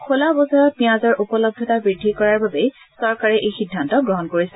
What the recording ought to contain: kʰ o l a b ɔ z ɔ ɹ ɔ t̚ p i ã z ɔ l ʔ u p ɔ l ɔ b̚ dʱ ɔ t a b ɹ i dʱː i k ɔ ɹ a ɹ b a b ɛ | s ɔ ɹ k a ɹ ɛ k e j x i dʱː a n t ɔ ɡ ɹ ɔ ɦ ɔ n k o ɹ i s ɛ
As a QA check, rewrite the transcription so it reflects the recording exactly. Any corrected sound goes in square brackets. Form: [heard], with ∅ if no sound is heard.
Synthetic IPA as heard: kʰ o l a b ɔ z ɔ ɹ ɔ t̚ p i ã z ɔ [ɹ] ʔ u p ɔ l ɔ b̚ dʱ ɔ t a b ɹ i dʱː i k ɔ ɹ a ɹ b a b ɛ | s ɔ ɹ k a ɹ ɛ [ʔ] e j x i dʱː a n t ɔ ɡ ɹ ɔ ɦ ɔ n k o ɹ i s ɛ